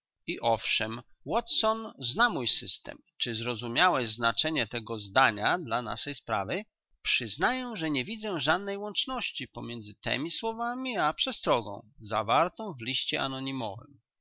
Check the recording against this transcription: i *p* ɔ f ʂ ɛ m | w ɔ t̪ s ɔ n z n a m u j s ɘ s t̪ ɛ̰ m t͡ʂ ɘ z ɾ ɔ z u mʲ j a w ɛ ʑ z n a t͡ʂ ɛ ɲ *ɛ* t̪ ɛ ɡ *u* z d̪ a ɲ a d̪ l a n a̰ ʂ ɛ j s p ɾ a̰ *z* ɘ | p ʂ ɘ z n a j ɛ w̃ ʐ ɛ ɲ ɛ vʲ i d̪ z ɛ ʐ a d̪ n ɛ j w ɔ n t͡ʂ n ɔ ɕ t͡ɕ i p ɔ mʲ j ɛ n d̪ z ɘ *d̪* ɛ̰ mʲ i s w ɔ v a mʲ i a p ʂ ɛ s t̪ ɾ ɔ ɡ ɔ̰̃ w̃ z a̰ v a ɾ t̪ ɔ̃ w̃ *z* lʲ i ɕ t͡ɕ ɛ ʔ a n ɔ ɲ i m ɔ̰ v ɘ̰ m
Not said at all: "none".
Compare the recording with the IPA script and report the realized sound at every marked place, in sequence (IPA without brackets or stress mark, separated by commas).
ʔ, ɛ, ɔ, v, t̪, v